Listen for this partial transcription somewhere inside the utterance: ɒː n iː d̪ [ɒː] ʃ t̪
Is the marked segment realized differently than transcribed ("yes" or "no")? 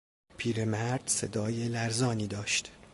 no